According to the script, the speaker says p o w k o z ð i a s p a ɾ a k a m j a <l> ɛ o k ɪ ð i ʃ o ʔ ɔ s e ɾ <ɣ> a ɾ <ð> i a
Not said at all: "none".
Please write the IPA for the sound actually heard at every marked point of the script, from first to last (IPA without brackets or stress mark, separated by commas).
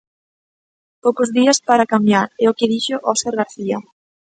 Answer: ɾ, ɣ, θ